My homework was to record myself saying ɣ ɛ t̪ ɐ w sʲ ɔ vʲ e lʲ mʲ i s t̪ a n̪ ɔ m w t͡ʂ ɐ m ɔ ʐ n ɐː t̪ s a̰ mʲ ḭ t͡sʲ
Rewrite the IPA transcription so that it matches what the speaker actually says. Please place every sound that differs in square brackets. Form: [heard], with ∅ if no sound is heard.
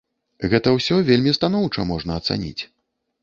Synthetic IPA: ɣ ɛ t̪ ɐ w sʲ ɔ vʲ e lʲ mʲ i s t̪ a n̪ ɔ [∅] w t͡ʂ ɐ m ɔ ʐ n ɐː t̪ s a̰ [nʲ] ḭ t͡sʲ